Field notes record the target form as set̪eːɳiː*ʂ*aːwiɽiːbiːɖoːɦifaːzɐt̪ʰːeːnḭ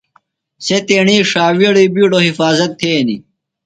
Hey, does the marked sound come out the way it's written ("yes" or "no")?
yes